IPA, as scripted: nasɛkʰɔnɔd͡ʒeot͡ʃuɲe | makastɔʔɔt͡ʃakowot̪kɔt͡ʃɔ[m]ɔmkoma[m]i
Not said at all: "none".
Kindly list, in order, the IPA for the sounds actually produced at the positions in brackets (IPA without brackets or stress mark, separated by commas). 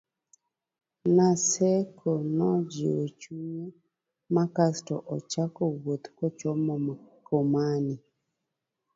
m, n